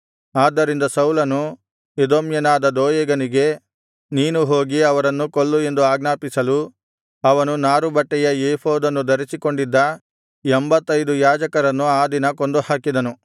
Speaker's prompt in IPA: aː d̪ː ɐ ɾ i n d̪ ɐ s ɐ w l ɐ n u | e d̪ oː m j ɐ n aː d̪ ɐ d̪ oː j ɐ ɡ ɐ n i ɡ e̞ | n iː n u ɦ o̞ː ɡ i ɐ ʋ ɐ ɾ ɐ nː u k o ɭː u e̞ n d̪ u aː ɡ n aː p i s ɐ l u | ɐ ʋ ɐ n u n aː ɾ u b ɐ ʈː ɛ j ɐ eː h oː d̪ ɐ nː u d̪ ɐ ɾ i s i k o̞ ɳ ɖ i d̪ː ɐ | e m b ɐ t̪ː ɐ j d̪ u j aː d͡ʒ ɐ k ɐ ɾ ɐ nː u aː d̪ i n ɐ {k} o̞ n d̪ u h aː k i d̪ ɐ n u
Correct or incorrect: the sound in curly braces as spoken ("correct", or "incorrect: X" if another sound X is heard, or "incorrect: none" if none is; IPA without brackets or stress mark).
correct